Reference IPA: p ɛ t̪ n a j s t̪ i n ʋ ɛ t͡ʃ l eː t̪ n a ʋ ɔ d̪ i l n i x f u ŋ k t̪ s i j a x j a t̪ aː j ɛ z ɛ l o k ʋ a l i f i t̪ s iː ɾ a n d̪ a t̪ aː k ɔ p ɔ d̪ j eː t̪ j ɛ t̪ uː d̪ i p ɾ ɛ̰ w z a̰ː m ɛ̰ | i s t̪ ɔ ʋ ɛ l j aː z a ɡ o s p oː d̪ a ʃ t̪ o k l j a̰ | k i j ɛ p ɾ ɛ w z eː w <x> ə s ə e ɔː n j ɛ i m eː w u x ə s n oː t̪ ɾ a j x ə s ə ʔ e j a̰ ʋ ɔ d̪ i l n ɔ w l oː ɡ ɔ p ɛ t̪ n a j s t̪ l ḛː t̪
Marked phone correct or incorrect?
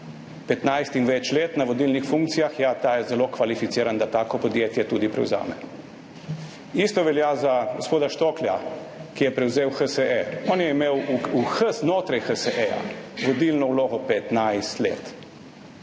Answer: correct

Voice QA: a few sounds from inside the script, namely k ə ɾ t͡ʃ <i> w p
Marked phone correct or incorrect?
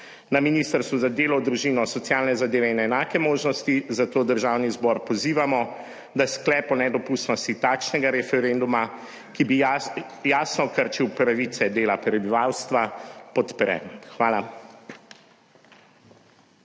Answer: correct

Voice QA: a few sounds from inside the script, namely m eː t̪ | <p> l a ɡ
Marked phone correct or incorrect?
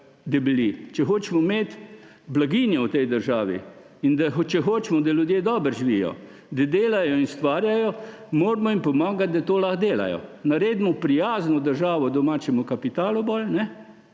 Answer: incorrect: b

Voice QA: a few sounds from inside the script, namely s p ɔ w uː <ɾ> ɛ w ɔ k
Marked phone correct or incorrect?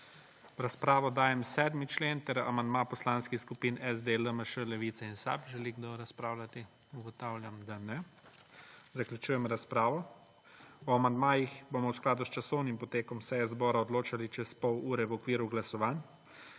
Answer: correct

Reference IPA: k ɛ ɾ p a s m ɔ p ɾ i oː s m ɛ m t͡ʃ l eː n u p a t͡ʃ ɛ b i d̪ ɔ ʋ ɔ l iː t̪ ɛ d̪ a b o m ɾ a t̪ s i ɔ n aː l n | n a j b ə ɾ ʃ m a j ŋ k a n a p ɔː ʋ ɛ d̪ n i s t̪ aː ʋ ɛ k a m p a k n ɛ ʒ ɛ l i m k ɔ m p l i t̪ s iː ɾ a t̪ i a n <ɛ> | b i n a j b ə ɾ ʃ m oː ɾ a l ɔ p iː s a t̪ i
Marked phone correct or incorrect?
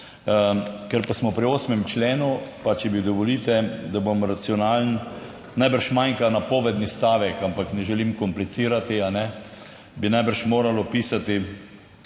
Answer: correct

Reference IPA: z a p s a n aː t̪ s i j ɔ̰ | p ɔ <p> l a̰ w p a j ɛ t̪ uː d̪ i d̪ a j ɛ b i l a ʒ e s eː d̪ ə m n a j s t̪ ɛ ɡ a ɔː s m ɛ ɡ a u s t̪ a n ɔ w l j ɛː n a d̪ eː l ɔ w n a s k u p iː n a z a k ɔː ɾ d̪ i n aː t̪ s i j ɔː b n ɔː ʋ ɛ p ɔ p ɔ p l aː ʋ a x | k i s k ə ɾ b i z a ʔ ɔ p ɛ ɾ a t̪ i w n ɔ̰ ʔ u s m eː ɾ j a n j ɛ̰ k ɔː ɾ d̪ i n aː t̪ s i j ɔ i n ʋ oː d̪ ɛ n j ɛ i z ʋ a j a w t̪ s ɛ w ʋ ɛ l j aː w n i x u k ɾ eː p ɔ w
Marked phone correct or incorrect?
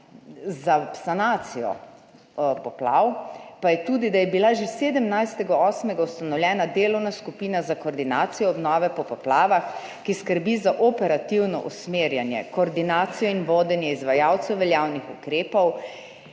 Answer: correct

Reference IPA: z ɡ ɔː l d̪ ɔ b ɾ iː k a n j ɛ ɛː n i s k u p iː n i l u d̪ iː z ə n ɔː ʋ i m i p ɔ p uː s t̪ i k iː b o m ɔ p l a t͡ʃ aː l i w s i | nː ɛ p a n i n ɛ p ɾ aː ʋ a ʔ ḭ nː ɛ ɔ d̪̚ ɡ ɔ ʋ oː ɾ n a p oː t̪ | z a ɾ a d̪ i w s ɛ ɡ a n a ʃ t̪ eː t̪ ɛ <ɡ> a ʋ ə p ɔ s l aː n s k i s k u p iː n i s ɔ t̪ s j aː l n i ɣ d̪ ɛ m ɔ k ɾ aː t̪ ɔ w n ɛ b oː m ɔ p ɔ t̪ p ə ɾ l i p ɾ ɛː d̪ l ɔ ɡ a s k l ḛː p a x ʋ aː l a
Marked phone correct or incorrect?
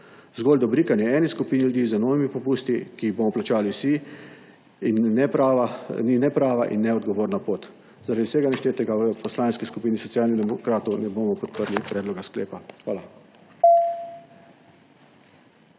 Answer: correct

